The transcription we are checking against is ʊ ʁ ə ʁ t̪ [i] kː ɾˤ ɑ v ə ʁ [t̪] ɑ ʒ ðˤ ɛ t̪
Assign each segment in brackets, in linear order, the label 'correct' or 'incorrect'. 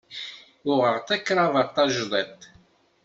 incorrect: æ, correct

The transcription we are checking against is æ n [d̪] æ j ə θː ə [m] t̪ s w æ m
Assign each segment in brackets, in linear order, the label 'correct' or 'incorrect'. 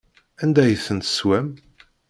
correct, incorrect: n

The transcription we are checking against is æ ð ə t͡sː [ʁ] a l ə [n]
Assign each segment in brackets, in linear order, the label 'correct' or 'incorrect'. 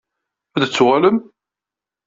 correct, incorrect: m

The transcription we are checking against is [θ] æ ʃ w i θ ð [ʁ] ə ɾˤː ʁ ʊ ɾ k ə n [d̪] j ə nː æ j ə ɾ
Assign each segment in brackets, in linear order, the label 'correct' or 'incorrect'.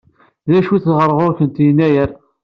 incorrect: ð, correct, incorrect: t̪

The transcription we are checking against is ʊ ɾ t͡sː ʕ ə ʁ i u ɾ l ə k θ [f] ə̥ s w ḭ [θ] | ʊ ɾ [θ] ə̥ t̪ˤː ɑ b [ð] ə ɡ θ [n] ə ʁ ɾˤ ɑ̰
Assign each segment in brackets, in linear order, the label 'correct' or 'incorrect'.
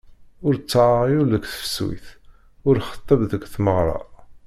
correct, correct, incorrect: χ, correct, incorrect: m

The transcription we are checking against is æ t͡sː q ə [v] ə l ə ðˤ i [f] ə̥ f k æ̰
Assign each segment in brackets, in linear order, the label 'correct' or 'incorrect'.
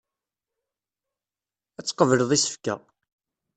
correct, incorrect: s

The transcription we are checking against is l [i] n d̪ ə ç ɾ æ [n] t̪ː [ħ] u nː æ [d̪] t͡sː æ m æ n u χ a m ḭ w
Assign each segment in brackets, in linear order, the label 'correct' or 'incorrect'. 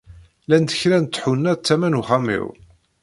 incorrect: æ, correct, correct, incorrect: none

